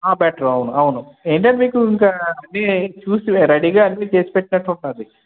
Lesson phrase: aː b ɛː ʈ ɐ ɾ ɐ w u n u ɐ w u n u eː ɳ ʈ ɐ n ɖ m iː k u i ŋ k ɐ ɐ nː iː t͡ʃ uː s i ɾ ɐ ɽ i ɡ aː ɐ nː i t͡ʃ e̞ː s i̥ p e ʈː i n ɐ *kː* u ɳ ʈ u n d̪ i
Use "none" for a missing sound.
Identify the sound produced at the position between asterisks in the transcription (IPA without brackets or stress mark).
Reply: ʈː